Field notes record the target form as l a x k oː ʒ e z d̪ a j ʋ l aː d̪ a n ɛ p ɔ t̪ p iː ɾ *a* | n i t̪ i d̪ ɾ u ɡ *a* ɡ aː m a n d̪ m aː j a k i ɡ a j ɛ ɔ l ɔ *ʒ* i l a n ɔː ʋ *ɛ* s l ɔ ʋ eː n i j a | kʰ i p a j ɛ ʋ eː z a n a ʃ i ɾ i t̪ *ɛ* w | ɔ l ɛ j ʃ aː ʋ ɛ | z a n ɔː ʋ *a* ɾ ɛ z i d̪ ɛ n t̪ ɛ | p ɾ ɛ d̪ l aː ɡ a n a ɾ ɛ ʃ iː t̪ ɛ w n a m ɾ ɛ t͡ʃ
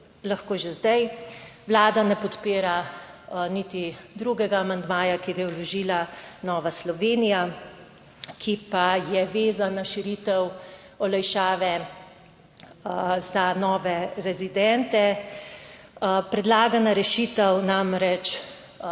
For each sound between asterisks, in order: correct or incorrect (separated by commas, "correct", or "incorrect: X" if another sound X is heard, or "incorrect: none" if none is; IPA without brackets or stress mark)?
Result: correct, incorrect: ɛ, correct, incorrect: a, correct, incorrect: ɛ